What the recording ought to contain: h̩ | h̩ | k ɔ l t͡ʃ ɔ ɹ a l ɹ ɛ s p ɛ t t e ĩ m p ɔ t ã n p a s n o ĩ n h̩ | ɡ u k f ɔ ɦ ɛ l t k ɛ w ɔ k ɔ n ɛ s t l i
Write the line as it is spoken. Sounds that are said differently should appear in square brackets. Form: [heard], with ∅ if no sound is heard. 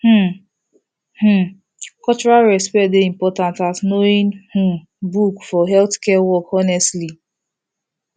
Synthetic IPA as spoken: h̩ | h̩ | k ɔ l t͡ʃ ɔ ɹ a l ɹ ɛ s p ɛ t [d] e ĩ m p ɔ t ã n [t] a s n o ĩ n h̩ | [b] u k f ɔ ɦ ɛ l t k ɛ w ɔ k ɔ n ɛ s t l i

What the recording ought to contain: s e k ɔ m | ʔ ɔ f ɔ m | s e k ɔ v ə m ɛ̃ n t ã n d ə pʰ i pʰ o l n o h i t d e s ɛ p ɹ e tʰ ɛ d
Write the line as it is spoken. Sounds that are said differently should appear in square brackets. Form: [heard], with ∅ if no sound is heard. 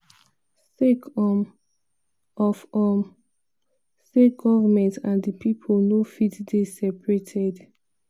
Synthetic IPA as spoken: s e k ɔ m | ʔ ɔ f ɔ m | s e [ɡ] ɔ v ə m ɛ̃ n t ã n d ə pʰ i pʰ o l n o [f] i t d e s ɛ p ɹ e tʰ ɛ d

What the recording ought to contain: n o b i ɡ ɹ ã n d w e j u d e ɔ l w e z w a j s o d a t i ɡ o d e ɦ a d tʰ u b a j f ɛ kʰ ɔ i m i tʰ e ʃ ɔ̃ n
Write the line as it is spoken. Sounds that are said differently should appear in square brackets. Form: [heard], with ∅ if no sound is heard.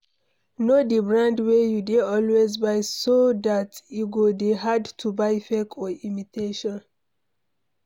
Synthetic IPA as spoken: n o [d] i [b] ɹ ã n d w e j u d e ɔ l w e z [b] a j s o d a t i ɡ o d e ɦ a d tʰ u b a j f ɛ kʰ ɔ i m i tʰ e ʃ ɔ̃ n

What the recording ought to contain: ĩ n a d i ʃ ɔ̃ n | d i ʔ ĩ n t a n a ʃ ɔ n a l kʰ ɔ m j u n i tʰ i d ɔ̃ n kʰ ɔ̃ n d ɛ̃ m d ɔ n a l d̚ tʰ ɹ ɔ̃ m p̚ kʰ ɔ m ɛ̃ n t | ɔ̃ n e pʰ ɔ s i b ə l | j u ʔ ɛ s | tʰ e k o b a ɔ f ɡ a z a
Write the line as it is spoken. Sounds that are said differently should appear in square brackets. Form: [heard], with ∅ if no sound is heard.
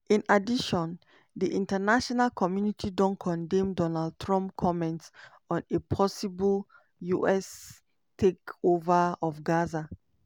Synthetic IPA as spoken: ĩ n a d i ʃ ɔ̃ n | d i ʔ ĩ n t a n a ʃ ɔ n a l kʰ ɔ m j u n i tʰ i d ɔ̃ n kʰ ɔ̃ n d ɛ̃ m d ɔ n a l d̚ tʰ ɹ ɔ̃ m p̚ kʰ ɔ m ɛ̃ n t | ɔ̃ n e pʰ ɔ s i b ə l | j u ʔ ɛ s | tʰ e k o [v] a ɔ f ɡ a z a

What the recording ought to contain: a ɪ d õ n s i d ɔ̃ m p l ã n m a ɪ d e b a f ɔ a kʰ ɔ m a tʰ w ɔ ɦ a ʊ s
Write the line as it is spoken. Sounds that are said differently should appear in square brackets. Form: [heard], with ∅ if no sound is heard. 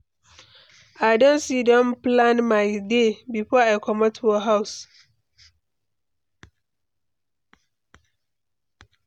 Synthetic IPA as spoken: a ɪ d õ n s i d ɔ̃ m p l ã n m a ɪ d e b [i] f ɔ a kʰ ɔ m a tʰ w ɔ ɦ a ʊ s

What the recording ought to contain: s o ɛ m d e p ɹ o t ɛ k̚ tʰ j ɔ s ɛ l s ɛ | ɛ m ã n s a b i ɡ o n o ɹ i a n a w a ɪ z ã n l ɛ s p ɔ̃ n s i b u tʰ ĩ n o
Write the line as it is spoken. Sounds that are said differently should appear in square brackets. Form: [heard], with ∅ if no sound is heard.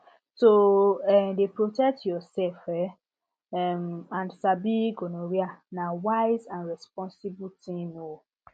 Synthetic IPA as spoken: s o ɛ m d e p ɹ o t ɛ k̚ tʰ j ɔ s ɛ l [f] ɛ | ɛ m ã n s a b i ɡ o n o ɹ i a n a w a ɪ z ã n [ɹ] ɛ s p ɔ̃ n s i b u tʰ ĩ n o

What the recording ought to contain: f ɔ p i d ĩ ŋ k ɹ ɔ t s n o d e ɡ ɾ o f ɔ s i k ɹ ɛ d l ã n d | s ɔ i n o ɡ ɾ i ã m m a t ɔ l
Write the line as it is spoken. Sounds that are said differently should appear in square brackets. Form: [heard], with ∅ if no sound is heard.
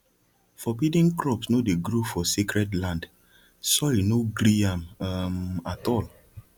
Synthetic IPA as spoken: f ɔ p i d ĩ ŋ k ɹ ɔ [p] s n o d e ɡ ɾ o f ɔ s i k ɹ ɛ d l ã n d | s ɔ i n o ɡ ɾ i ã m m a t ɔ l

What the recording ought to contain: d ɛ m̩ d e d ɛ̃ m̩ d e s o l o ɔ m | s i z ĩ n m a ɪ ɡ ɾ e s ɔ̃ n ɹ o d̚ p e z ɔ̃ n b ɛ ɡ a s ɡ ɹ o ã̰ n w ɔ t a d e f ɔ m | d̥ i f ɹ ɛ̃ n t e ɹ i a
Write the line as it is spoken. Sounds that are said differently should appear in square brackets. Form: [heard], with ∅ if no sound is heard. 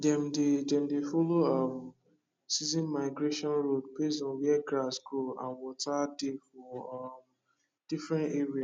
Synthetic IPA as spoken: d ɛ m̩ d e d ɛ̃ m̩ d e [f] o l o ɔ m | s i z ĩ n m a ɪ ɡ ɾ e [ʃ] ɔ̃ n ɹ o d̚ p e z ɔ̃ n [w] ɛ ɡ a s ɡ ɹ o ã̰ n w ɔ t a d e f ɔ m | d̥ i f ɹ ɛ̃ n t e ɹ i a

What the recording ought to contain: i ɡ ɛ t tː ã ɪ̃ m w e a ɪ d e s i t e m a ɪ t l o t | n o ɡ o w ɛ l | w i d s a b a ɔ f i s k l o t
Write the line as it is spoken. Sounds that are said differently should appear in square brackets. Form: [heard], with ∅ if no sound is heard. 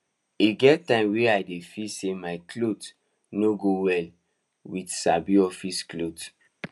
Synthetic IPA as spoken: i ɡ ɛ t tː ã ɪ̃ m w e a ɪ d e [f] i [s] e m a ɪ [k] l o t | n o ɡ o w ɛ l | w i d s a b [i] ɔ f i s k l o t

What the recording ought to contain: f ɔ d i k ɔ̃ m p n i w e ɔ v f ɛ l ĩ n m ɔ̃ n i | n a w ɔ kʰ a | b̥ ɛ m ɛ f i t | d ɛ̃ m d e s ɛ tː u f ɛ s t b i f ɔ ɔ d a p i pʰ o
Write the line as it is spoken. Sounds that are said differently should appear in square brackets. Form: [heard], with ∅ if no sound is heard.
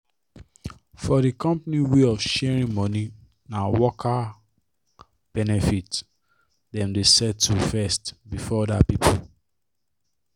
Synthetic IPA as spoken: f ɔ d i k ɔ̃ m p n i w e ɔ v [ʃ] ɛ [ɹ] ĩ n m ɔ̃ n i | n a w ɔ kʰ a | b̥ ɛ [n] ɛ f i t | d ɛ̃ m d e s ɛ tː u f ɛ s t b i f ɔ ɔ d a p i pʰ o

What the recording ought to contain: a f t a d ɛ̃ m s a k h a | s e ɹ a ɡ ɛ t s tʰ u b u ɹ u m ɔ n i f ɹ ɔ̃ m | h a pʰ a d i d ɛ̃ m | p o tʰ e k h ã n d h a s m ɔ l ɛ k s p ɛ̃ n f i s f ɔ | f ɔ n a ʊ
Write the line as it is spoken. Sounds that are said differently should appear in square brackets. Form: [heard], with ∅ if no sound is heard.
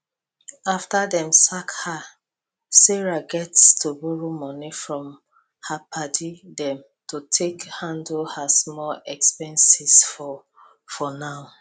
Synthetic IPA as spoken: a f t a d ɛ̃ m s a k h a | s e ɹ a ɡ ɛ t s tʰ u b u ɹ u m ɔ n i f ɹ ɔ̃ m | h a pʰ a d i d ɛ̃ m | [t] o tʰ e k h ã n d h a s m ɔ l ɛ k s p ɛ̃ n [s] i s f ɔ | f ɔ n a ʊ

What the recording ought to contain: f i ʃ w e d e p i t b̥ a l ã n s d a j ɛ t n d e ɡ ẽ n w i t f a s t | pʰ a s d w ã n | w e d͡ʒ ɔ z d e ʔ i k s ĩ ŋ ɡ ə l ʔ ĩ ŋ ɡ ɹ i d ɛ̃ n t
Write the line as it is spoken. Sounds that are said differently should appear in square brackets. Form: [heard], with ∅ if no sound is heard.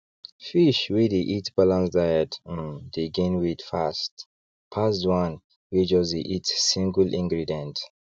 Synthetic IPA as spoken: f i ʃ w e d e [ʔ] i t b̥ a l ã n s d a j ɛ t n d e ɡ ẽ n w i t f a s t | pʰ a s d w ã n | w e d͡ʒ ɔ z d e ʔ i [t] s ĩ ŋ ɡ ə l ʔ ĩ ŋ ɡ ɹ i d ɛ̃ n t

